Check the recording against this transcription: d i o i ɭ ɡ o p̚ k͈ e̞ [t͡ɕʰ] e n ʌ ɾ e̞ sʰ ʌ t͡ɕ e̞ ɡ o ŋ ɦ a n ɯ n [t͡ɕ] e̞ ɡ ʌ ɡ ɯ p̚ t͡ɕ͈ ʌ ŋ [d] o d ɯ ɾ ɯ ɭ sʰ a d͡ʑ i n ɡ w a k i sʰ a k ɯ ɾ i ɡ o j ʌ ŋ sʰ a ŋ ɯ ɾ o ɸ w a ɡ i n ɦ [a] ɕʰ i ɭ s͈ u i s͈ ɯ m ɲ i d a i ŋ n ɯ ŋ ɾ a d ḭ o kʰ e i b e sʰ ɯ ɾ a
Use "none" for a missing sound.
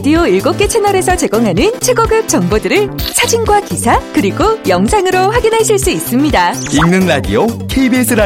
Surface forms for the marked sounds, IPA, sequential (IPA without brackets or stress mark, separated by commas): t͡ɕʰ, t͡ɕʰ, b, a